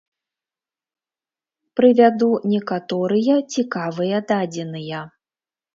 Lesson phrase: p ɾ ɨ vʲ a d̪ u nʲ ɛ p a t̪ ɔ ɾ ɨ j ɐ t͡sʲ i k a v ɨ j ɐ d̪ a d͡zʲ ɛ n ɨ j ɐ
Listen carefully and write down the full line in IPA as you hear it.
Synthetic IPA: p ɾ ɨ vʲ a d̪ u nʲ ɛ k a t̪ ɔ ɾ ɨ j ɐ t͡sʲ i k a v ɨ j ɐ d̪ a d͡zʲ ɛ n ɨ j ɐ